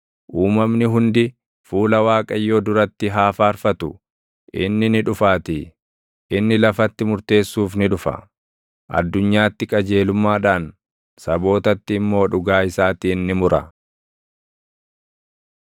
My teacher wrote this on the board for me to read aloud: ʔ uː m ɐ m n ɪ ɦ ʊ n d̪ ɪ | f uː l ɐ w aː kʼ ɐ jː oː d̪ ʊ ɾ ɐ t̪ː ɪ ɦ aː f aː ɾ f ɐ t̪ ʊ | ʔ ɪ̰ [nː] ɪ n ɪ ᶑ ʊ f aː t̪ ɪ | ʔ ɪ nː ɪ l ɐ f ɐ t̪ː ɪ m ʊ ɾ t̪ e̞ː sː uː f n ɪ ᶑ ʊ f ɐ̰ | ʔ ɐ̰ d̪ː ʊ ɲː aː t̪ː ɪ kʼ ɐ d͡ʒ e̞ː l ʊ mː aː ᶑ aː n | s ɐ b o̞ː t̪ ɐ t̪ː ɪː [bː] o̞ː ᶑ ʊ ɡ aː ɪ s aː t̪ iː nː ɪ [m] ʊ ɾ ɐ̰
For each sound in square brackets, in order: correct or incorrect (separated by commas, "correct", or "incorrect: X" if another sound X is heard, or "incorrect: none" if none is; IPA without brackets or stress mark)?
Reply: correct, incorrect: mː, correct